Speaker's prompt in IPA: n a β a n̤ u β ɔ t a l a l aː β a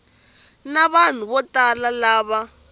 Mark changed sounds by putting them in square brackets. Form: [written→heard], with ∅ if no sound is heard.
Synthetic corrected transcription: n a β a n̤ u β ɔ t a l a l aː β a